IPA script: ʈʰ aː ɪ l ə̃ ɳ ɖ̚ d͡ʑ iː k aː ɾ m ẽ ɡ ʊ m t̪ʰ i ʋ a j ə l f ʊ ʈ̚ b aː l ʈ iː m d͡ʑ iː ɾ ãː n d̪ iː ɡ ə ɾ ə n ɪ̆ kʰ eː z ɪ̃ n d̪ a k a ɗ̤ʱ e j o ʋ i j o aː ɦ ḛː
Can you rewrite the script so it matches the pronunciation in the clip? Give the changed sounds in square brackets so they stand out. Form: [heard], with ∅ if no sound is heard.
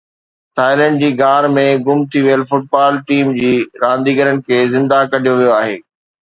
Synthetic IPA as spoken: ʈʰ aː ɪ l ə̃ ɳ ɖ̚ d͡ʑ iː [ɡ] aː ɾ m ẽ ɡ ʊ m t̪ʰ i ʋ [i] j ə l f ʊ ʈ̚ b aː l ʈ iː m d͡ʑ iː ɾ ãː n d̪ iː ɡ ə ɾ ə n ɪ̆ kʰ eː z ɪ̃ n d̪ a k [ɐ] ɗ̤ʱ [i] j o ʋ i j o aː ɦ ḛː